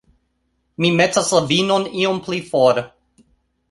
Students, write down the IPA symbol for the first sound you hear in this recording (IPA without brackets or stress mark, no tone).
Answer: m